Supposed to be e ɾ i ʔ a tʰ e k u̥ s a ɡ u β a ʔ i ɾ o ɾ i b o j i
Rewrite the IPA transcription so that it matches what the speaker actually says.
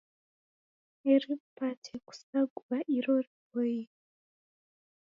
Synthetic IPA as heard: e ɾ i p a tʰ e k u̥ s a ɡ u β a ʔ i ɾ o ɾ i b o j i